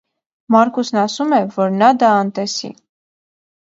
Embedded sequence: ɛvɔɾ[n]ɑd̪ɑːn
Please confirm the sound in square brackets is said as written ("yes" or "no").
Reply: yes